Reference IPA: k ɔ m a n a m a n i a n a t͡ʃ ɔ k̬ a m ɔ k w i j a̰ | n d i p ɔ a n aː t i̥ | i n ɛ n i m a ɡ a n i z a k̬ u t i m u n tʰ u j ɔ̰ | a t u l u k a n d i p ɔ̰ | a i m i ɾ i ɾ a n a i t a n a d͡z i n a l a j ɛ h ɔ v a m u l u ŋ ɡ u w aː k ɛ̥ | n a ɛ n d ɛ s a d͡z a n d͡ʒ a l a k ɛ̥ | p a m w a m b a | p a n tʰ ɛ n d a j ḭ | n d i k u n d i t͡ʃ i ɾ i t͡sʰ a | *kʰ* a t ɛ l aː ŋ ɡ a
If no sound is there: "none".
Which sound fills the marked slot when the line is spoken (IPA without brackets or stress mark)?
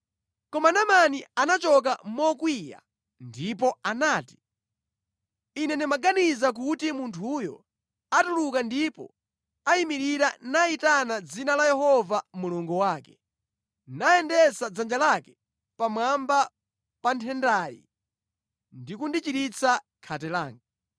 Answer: kʰ